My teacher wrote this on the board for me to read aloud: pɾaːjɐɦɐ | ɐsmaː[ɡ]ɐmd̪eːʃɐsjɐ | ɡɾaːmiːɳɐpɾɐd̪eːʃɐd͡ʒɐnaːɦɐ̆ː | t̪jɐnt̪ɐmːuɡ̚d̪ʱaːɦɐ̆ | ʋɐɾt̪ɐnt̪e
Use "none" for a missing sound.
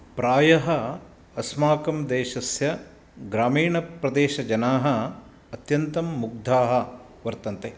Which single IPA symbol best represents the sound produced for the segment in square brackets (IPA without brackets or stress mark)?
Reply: k